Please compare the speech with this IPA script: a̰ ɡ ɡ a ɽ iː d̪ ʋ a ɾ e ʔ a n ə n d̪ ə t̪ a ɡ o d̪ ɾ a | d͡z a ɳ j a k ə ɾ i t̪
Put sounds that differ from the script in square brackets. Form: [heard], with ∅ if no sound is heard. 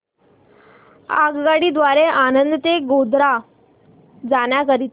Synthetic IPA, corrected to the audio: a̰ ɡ ɡ a ɽ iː d̪ ʋ a ɾ e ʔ a n ə n d̪ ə t̪ [e] ɡ o d̪ ɾ a | d͡z a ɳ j a k ə ɾ i t̪